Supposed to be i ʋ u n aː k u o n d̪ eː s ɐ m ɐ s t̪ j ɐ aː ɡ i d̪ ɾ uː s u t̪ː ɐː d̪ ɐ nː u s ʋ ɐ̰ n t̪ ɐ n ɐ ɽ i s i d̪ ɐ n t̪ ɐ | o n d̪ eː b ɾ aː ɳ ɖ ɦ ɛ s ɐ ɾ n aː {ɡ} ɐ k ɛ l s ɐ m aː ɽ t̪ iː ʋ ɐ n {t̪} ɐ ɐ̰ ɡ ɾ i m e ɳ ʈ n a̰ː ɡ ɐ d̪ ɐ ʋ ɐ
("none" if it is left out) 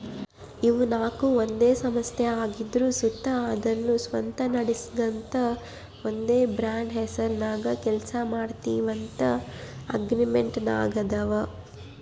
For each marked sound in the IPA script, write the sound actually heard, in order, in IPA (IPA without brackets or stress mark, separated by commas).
ɡ, t̪